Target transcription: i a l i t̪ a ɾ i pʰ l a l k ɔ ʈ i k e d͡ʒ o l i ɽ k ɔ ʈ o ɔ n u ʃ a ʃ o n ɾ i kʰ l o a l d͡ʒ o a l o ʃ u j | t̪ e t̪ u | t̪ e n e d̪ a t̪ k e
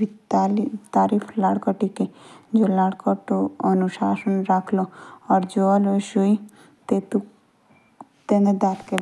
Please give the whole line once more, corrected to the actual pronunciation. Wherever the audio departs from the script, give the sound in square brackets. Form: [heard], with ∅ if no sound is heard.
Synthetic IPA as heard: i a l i t̪ a ɾ i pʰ l a [ɽ] k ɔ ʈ i k e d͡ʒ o l [a] ɽ k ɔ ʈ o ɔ n u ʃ a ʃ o n ɾ [a] kʰ l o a [ɾ] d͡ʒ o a l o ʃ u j | t̪ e t̪ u | t̪ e n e d̪ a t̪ k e